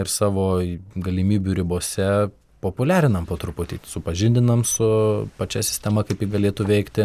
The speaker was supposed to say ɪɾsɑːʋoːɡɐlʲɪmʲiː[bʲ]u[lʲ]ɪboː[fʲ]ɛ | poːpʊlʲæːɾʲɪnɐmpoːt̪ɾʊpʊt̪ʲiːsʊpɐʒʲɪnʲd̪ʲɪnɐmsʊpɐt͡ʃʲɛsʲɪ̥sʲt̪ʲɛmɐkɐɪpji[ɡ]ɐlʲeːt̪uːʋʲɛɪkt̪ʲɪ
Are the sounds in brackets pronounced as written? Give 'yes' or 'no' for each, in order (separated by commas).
yes, no, no, yes